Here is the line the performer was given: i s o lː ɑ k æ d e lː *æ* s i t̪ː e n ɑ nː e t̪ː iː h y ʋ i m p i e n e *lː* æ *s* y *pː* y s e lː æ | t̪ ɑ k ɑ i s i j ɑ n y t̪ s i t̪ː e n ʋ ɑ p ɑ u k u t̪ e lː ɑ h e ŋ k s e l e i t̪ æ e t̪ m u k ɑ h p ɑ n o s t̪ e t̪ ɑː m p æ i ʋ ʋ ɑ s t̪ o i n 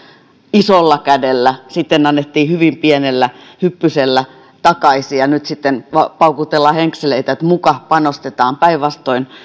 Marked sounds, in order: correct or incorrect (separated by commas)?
correct, correct, incorrect, correct